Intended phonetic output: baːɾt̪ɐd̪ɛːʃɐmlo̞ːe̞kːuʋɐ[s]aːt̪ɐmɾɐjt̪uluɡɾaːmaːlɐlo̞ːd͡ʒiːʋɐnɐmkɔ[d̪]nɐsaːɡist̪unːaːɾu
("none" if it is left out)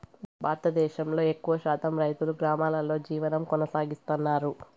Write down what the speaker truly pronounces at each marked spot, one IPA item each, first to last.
ʃ, none

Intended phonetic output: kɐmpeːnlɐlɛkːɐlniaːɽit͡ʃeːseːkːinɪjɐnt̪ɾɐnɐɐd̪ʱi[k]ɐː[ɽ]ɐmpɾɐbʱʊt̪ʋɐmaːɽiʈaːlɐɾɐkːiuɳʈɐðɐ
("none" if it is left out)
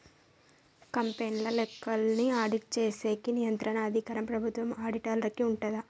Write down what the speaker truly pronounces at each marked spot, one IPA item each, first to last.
k, ɾ

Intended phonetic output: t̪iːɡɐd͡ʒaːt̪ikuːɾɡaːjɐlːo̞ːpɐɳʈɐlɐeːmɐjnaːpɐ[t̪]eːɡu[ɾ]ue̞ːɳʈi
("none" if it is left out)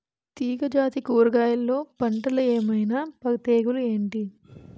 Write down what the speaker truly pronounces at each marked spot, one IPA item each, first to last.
t̪, l

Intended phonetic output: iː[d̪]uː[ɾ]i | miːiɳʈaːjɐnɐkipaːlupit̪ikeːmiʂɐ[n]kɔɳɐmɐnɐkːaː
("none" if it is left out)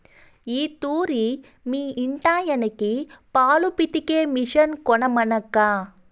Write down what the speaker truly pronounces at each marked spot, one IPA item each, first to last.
t̪, ɾ, n

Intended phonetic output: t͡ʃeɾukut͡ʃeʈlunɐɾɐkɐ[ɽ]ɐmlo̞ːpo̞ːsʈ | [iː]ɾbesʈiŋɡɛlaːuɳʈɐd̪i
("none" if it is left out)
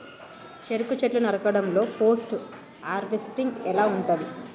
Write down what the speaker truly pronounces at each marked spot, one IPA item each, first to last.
ɽ, aː

